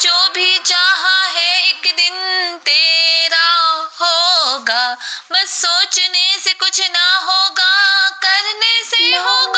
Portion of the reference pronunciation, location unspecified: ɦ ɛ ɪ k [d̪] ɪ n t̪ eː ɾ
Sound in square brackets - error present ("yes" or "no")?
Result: no